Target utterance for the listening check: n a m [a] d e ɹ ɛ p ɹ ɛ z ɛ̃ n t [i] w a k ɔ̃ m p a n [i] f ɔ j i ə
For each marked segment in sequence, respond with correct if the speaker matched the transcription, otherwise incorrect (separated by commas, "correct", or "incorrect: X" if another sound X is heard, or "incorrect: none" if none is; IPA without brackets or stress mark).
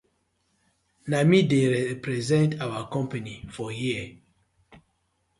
incorrect: i, incorrect: a, correct